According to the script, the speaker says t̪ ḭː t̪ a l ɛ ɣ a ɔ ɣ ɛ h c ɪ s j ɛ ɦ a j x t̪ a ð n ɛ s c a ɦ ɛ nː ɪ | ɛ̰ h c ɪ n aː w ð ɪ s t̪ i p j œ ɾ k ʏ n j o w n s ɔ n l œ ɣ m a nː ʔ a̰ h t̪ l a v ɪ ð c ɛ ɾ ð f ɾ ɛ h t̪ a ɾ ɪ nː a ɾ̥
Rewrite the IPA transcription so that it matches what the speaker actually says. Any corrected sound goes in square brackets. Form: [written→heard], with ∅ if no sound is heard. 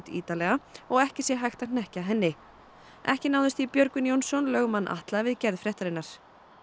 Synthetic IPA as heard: t̪ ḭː t̪ a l ɛ ɣ a ɔ ɣ ɛ h c ɪ s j ɛ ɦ a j x t̪ a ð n ɛ [s→h] c a ɦ ɛ nː ɪ | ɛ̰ h c ɪ n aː w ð ɪ s t̪ i p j œ ɾ k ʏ n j o w n s ɔ n l œ ɣ m a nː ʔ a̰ h t̪ l a v ɪ ð c ɛ ɾ ð f ɾ ɛ h t̪ a ɾ ɪ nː a ɾ̥